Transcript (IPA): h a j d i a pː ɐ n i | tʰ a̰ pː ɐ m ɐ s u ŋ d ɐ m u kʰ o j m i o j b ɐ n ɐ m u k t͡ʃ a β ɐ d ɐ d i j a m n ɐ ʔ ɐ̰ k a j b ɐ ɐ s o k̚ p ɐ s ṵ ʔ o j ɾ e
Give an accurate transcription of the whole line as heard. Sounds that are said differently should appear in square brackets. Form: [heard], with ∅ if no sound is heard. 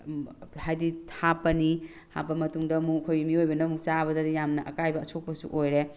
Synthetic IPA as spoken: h a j d i a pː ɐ n i | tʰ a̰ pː ɐ m ɐ [t] u ŋ d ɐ m u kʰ o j m i o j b ɐ n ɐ m u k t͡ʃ a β ɐ d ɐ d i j a m n ɐ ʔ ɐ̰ k a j b ɐ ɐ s o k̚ p ɐ s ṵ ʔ o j ɾ e